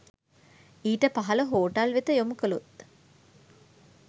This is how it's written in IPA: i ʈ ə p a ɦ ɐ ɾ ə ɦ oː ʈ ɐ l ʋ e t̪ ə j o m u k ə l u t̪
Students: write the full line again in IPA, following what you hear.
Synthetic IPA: iː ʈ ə p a ɦ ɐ l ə ɦ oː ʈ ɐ l ʋ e t̪ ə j o m u k ə l u t̪